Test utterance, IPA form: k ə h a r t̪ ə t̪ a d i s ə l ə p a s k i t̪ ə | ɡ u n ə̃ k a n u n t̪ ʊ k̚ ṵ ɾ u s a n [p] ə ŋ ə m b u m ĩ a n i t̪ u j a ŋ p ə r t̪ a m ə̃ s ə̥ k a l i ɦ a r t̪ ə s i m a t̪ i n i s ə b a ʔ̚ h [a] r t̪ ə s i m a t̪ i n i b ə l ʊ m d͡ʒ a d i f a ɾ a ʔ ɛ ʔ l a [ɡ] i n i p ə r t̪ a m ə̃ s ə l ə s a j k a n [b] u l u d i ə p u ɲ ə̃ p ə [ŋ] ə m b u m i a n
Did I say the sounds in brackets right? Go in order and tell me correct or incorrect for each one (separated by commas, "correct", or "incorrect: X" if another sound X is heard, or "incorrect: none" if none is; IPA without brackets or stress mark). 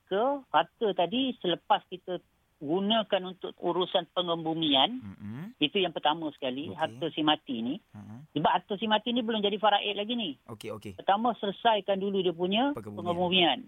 correct, correct, correct, incorrect: d, correct